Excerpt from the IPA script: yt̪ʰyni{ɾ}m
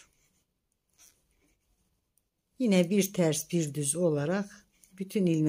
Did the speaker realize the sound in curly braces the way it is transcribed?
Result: no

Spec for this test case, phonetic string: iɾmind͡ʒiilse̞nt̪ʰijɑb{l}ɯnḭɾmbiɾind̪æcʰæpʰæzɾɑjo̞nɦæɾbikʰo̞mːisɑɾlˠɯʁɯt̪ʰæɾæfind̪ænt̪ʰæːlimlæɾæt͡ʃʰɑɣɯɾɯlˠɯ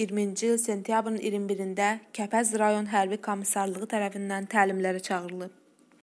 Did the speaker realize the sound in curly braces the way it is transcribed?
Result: no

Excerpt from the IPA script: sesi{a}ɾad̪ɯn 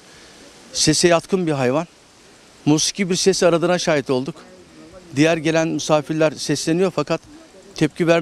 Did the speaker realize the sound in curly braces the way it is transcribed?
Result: yes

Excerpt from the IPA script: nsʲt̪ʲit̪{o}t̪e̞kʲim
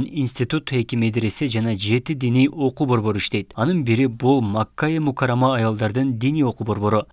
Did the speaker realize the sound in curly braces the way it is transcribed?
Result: no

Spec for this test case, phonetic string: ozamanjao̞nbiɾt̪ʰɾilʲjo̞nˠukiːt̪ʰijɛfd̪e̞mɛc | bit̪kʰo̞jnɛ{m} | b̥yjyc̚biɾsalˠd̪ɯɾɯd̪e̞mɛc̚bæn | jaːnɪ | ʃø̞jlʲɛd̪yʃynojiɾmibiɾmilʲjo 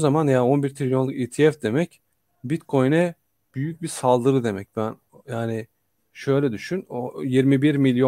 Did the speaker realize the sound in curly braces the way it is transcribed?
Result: no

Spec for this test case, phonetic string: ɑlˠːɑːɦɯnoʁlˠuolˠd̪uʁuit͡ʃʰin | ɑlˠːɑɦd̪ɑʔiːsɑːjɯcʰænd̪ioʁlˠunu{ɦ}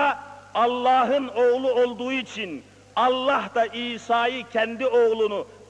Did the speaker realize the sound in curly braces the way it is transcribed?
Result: no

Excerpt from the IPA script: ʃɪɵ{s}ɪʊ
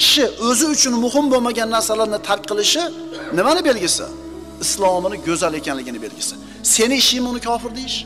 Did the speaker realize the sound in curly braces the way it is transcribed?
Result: no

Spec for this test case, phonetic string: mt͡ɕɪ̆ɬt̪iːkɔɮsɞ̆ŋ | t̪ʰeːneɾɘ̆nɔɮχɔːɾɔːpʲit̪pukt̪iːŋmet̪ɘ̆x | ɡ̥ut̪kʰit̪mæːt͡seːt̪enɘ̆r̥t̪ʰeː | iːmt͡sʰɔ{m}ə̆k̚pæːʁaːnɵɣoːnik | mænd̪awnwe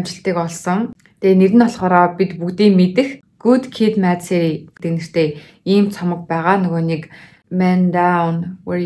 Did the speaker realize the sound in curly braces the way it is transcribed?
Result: yes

